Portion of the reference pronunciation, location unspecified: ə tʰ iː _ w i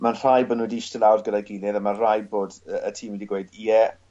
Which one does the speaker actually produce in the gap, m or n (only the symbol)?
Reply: m